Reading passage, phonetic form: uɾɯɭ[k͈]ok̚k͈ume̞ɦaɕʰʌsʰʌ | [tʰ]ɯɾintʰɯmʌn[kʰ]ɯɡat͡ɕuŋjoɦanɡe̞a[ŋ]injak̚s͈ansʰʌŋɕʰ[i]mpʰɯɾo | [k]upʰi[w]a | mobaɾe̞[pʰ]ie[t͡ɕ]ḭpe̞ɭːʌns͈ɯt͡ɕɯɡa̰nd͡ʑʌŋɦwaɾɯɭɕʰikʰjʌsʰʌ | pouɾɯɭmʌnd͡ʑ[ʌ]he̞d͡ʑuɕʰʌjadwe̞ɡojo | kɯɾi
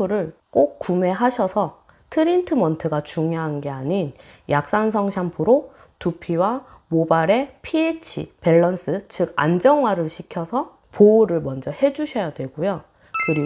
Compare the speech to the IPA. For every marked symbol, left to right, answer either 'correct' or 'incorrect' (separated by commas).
correct, correct, incorrect, incorrect, incorrect, incorrect, correct, correct, incorrect, correct